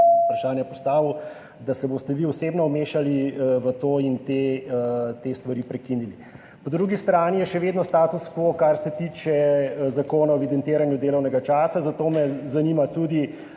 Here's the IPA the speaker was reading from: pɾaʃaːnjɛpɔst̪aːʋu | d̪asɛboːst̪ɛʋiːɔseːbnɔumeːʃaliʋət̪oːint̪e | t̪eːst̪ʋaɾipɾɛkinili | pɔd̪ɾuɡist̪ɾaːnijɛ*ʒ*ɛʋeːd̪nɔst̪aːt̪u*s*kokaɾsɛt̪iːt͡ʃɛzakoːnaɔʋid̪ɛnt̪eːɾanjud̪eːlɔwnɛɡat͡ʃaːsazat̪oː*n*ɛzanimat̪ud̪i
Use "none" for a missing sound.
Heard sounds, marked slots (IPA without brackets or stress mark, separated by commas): ʃ, s, m